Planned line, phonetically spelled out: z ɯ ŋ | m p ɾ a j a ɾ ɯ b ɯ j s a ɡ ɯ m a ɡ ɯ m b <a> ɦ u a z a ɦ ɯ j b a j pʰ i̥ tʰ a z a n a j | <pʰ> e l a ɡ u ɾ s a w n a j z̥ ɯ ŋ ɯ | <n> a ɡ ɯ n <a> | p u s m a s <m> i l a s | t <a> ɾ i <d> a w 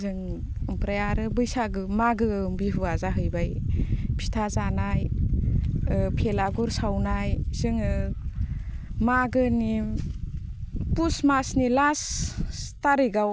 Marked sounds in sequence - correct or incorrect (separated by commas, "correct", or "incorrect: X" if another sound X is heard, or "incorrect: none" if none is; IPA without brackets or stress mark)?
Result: incorrect: i, correct, incorrect: m, incorrect: i, incorrect: n, correct, incorrect: ɡ